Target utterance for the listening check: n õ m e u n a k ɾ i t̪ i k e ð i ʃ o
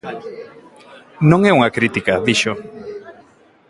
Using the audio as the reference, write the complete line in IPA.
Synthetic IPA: n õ ŋ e u ŋ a k ɾ i t̪ i k a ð i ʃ o